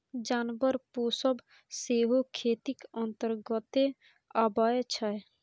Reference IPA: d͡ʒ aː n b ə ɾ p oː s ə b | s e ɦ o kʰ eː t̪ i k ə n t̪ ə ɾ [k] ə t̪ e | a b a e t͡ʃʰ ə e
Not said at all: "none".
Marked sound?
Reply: ɡ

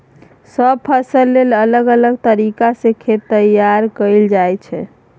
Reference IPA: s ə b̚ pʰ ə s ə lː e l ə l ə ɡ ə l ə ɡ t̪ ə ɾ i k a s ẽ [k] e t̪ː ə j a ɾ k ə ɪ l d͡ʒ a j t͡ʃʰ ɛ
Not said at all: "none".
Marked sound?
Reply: kʰ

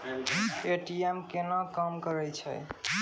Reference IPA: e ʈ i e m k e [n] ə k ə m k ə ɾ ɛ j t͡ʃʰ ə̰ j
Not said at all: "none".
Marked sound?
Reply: n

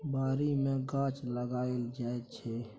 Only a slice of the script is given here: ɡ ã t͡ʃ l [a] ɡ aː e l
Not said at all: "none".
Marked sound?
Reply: ə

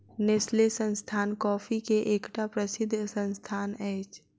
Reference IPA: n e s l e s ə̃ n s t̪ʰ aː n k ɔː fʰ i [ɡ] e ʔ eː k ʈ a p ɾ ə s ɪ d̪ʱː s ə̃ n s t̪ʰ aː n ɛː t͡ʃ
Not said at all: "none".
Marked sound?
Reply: k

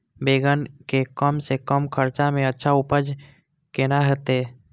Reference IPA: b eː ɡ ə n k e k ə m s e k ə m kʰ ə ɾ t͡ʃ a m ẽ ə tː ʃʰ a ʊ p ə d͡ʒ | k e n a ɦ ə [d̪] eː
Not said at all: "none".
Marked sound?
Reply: t̪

